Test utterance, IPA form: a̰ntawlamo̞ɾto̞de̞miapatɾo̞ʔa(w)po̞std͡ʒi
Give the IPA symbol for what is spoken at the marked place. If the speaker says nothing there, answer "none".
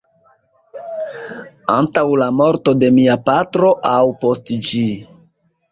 w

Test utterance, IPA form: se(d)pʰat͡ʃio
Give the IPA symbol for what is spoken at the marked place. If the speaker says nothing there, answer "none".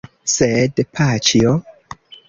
d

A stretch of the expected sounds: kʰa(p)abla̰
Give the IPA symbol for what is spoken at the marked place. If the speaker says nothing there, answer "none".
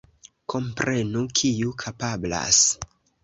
p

